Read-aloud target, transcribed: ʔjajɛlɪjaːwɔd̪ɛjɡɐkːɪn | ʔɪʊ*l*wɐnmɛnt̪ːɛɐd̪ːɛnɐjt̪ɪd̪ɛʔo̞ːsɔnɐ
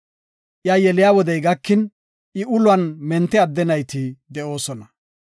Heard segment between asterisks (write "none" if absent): l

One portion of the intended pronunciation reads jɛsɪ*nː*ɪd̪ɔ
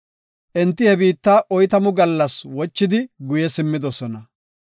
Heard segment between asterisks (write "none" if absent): mː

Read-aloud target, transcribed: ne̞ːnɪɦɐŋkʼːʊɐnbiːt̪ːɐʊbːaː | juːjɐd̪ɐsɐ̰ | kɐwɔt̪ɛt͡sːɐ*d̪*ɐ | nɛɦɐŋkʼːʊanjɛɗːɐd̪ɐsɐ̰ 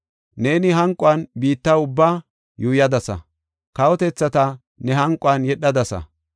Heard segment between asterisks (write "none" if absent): t̪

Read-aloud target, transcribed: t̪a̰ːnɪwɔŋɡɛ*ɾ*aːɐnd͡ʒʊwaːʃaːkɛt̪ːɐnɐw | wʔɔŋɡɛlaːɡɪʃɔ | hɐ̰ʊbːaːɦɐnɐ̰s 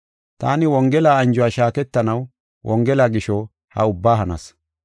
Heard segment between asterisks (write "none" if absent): l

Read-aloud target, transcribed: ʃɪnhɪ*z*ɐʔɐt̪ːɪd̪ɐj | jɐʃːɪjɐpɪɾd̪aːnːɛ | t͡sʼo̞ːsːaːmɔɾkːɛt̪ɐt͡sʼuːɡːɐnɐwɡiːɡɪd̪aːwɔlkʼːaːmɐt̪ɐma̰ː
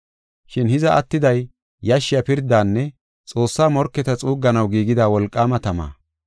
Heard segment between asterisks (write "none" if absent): z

